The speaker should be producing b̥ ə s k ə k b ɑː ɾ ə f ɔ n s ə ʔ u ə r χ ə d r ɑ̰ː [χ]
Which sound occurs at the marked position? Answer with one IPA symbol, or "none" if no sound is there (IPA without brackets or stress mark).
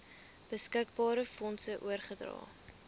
none